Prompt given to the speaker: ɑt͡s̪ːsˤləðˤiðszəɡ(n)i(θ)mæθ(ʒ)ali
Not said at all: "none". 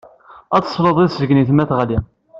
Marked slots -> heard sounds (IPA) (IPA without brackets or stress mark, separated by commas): n, θ, ʁ